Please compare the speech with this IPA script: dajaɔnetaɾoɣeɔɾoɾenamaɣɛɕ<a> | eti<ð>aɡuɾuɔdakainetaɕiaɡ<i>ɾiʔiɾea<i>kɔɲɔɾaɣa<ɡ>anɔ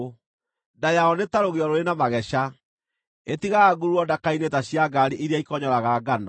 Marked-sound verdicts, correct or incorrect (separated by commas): correct, incorrect, incorrect, correct, correct